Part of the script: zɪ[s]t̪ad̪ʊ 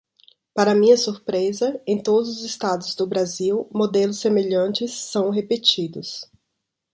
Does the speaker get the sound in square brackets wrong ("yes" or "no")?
no